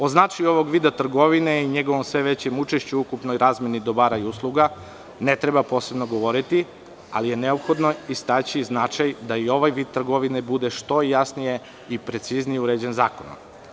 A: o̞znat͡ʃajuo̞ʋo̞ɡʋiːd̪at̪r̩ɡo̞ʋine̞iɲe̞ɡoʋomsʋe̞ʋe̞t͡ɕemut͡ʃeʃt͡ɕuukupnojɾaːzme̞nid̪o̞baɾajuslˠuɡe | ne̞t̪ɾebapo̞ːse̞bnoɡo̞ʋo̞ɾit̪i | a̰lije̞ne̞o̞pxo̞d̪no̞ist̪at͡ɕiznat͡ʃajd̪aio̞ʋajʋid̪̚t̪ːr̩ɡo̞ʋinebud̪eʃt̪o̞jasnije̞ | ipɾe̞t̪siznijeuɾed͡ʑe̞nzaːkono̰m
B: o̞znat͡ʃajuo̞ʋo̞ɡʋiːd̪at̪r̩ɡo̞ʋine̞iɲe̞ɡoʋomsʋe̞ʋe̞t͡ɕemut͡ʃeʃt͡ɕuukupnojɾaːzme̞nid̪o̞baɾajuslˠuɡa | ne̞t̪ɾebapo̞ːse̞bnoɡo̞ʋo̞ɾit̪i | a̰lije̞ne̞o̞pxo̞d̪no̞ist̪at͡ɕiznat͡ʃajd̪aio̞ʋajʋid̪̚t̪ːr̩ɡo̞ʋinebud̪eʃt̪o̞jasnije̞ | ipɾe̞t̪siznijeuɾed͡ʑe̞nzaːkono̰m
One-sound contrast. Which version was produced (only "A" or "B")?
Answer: B